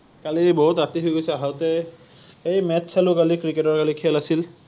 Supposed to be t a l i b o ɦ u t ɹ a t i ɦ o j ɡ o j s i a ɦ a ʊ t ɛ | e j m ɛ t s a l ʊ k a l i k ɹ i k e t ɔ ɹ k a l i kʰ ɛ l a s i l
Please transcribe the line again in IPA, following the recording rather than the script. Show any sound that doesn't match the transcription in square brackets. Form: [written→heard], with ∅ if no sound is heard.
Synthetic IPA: [t→k] a l i b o ɦ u t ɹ a t i ɦ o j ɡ o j s [i→ɛ] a ɦ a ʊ t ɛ | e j m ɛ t s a l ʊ k a l i k ɹ i k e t ɔ ɹ k a l i kʰ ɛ l a s i l